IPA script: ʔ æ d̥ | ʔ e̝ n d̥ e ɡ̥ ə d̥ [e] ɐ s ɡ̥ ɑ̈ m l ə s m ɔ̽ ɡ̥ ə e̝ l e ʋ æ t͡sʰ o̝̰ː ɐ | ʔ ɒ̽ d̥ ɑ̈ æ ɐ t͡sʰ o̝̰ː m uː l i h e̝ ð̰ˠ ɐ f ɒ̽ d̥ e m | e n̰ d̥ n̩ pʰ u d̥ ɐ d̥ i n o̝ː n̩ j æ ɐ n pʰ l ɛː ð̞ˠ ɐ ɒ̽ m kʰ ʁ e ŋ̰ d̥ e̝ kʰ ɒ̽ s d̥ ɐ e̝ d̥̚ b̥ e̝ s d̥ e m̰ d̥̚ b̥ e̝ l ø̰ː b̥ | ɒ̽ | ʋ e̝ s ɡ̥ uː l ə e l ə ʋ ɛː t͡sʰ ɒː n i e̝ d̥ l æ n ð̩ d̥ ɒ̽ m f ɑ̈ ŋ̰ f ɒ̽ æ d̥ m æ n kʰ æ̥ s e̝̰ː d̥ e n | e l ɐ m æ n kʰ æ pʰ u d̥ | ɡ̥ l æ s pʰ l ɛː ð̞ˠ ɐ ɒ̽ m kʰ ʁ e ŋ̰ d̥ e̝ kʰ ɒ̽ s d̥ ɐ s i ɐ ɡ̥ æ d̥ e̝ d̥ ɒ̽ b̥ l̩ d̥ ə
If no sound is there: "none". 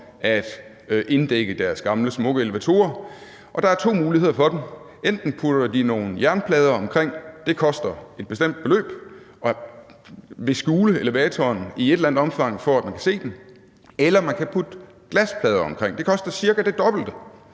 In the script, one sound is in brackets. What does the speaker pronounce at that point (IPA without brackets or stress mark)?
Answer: æ